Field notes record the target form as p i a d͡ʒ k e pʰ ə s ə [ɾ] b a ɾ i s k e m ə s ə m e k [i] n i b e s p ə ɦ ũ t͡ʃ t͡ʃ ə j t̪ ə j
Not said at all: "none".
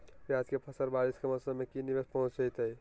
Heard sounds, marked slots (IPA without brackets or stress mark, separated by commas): ɾ, i